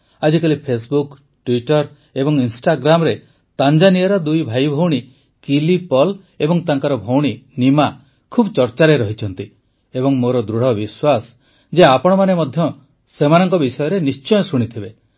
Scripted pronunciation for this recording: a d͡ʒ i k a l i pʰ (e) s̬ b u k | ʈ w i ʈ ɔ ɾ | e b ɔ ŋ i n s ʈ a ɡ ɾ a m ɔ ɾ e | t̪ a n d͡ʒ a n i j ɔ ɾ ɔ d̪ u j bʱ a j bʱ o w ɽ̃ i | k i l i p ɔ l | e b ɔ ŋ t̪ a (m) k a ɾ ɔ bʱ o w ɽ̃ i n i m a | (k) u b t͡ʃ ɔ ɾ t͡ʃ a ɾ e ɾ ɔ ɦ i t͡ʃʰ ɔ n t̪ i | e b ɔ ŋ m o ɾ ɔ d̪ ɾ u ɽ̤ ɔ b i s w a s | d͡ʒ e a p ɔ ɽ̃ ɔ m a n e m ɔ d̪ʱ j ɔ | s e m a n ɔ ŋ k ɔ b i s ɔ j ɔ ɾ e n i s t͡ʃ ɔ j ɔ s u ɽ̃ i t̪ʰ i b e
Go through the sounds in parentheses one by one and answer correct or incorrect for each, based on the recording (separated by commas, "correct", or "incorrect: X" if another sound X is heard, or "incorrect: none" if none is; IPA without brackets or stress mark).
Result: correct, incorrect: ŋ, incorrect: kʰ